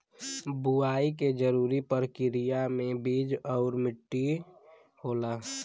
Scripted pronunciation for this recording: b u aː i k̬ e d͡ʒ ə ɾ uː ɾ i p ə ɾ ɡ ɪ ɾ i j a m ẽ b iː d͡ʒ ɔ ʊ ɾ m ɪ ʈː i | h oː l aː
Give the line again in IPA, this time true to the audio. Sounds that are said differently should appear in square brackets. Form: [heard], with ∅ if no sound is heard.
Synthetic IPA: b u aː i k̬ e d͡ʒ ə ɾ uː ɾ i p ə ɾ [k] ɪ ɾ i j a m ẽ b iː d͡ʒ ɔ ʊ ɾ m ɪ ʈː i | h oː l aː